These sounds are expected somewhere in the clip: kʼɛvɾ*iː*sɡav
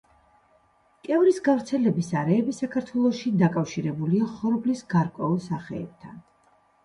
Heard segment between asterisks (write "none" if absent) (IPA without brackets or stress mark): i